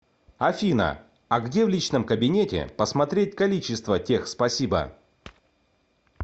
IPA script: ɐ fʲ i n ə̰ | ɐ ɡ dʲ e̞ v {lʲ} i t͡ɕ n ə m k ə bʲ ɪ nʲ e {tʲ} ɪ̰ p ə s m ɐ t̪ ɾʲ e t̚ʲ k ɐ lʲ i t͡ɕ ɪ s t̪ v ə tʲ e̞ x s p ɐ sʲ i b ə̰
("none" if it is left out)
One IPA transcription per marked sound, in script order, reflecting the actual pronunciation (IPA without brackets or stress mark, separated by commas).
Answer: lʲ, tʲ